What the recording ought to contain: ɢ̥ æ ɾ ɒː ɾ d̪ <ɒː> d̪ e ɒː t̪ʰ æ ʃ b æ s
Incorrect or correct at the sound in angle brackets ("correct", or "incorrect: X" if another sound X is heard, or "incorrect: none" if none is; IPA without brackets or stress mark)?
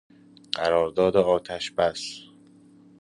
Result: correct